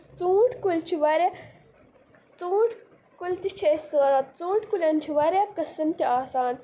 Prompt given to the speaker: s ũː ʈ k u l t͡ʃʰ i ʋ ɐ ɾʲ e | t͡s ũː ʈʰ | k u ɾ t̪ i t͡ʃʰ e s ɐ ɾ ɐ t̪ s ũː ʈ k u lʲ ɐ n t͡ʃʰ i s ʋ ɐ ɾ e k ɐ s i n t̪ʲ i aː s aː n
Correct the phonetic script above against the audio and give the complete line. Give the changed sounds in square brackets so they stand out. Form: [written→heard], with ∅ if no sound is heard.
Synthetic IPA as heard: [s→t͡s] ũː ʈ k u l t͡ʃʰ i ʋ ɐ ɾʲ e | t͡s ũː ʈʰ | k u [ɾ→l] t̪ i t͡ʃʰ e s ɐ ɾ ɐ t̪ [s→t͡s] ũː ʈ k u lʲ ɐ n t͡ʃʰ i [s→∅] ʋ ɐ ɾ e k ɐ s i [n→m] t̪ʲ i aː s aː n